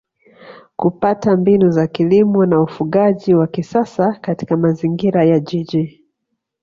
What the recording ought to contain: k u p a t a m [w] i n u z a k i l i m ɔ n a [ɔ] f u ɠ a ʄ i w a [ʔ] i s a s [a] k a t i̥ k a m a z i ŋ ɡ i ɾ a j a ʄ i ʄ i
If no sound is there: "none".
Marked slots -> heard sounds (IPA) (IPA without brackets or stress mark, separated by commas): b, u, k, a